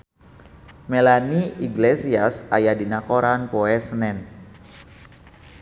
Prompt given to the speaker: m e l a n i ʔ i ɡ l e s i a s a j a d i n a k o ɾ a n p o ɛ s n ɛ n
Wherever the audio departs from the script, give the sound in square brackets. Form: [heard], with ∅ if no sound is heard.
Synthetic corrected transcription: m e l a n i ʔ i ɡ l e s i a s a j a d i n a k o ɾ a n p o ɛ s n ɛ n